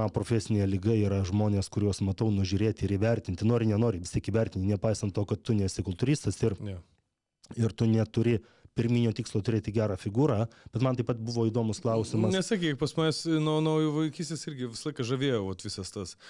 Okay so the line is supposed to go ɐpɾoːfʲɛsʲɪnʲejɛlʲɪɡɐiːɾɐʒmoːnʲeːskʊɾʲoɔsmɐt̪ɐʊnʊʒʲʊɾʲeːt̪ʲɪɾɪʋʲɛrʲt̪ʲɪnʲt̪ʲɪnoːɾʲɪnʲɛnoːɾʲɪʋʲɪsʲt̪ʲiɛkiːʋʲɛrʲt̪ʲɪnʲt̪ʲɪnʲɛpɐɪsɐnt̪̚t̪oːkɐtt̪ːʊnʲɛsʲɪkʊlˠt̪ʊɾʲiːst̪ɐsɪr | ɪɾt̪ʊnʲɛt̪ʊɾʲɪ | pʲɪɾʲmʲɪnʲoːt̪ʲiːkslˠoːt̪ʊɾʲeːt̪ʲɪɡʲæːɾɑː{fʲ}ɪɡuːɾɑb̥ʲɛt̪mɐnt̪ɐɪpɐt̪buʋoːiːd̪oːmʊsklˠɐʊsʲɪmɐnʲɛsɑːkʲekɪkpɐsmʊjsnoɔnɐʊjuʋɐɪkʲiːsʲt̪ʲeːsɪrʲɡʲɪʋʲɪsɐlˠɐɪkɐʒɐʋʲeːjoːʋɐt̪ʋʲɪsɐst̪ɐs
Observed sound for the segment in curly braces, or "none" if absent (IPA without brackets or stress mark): fʲ